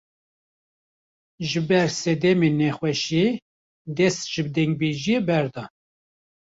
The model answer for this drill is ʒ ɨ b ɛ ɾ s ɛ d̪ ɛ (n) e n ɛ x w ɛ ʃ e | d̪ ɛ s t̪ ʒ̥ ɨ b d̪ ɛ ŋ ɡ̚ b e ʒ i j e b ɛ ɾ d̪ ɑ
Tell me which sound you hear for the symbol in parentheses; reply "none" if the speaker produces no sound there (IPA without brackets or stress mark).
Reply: m